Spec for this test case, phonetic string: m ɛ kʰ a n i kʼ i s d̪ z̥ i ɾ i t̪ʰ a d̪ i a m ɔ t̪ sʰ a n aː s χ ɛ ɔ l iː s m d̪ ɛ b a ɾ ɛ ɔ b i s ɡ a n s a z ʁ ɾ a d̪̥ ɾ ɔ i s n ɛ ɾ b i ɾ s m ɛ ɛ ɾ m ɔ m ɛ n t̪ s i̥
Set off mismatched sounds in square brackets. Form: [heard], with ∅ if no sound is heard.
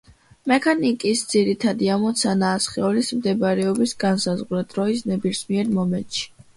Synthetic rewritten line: m ɛ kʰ a n i kʼ i s d̪ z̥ i ɾ i t̪ʰ a d̪ i a m ɔ t̪ sʰ a n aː s χ ɛ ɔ l [i] s m d̪ ɛ b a ɾ ɛ ɔ b i s ɡ a n s a z ʁ ɾ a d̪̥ ɾ ɔ i s n ɛ [∅] b i ɾ s m [i] ɛ ɾ m ɔ m ɛ n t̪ [ʃ] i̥

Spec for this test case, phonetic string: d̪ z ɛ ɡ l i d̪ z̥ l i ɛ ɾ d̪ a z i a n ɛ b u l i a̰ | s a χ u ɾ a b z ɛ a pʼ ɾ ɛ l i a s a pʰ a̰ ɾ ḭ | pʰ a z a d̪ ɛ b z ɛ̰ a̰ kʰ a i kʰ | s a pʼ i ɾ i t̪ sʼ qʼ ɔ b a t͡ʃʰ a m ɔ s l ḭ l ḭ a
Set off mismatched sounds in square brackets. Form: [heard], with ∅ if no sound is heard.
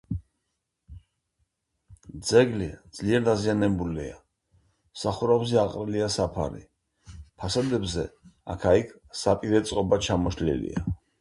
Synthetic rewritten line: d̪ z ɛ ɡ l i d̪ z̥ l i ɛ ɾ d̪ a z i a n ɛ b u l i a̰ | s a χ u ɾ a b z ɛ a [qʼ] ɾ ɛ l i a s a pʰ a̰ ɾ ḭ | pʰ a [s] a d̪ ɛ b z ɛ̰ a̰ kʰ a i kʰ | s a pʼ i ɾ [ɛ] t̪ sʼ qʼ ɔ b a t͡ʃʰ a m ɔ [ʃ] l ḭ l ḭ a

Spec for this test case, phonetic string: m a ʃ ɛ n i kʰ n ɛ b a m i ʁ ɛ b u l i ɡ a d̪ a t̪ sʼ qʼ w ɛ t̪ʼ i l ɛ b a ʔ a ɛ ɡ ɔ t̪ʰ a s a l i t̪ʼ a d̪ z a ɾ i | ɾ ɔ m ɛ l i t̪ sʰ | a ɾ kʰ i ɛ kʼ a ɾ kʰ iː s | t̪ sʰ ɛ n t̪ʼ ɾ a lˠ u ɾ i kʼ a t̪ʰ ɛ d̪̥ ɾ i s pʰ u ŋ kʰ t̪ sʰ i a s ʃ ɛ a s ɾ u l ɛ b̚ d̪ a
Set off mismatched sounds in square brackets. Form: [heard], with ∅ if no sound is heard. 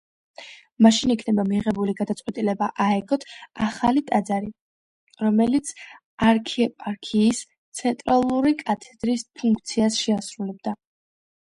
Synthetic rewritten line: m a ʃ [i] n i kʰ n ɛ b a m i ʁ ɛ b u l i ɡ a d̪ a t̪ sʼ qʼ w ɛ t̪ʼ i l ɛ b a ʔ a ɛ ɡ ɔ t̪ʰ a [χ] a l i t̪ʼ a d̪ z a ɾ i | ɾ ɔ m ɛ l i t̪ sʰ | a ɾ kʰ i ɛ [pʼ] a ɾ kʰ iː s | t̪ sʰ ɛ n t̪ʼ ɾ a lˠ u ɾ i kʼ a t̪ʰ ɛ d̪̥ ɾ i s pʰ u ŋ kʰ t̪ sʰ i a s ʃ ɛ a s ɾ u l ɛ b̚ d̪ a

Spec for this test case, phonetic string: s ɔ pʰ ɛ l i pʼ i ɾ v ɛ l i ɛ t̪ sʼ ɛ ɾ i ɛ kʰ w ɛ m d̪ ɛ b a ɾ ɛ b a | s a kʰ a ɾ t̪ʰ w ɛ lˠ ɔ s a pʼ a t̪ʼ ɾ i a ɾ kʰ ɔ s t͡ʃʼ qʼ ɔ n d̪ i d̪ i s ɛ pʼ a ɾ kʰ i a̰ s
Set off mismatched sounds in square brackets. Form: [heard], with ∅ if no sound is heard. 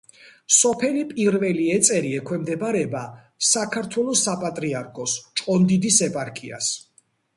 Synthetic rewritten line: s ɔ pʰ ɛ l i pʼ i ɾ v ɛ l i ɛ t̪ sʼ ɛ ɾ i ɛ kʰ w ɛ m d̪ ɛ b a ɾ ɛ b a | s a kʰ a ɾ t̪ʰ w ɛ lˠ ɔ s a pʼ a t̪ʼ ɾ i a ɾ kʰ ɔ s t͡ʃʼ qʼ ɔ n d̪ i d̪ i s ɛ pʼ a ɾ kʰ i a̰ s

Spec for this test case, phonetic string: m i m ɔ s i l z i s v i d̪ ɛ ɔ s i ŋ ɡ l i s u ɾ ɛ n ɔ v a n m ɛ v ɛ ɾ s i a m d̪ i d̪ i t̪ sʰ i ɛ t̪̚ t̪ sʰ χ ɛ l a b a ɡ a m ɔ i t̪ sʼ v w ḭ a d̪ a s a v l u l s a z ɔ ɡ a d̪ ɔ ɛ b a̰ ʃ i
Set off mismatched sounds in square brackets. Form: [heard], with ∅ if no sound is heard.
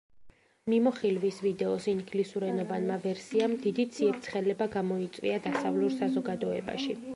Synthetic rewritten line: m i m ɔ [χ] i l [v] i s v i d̪ ɛ ɔ s i ŋ ɡ l i s u ɾ ɛ n ɔ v a n m [a] v ɛ ɾ s i a m d̪ i d̪ i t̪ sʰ i ɛ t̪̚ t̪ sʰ χ ɛ l [ɛ] b a ɡ a m ɔ i t̪ sʼ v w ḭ a d̪ a s a v l u [ɾ] s a z ɔ ɡ a d̪ ɔ ɛ b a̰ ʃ i

